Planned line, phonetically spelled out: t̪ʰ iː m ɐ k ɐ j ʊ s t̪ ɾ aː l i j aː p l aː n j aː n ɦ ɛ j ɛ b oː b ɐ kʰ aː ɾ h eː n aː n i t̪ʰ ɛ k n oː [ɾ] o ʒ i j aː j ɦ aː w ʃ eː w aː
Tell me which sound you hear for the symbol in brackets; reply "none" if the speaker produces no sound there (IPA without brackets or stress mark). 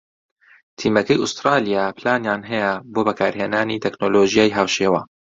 l